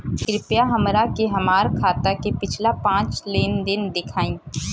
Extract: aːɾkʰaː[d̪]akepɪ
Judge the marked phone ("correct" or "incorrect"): incorrect